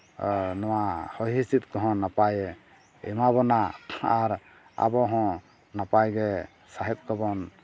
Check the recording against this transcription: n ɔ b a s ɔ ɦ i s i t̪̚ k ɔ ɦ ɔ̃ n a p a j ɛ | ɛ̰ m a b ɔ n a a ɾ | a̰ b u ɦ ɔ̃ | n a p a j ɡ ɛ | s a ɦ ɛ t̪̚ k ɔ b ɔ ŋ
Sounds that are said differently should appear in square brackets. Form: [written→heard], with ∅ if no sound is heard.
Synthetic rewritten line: n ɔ [b→w] a [s→h] ɔ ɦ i s i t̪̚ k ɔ ɦ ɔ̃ n a p a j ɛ | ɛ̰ m a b ɔ n a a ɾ | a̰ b [u→ɔ] ɦ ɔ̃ | n a p a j ɡ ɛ | s a ɦ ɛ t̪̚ k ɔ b ɔ [ŋ→n]